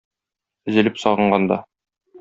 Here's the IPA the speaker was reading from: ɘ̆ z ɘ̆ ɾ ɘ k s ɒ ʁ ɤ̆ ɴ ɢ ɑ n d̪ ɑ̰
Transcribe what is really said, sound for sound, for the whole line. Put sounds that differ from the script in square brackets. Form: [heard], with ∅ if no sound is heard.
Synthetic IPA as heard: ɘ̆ z ɘ̆ [l] ɘ [p] s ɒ ʁ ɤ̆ ɴ ɢ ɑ n d̪ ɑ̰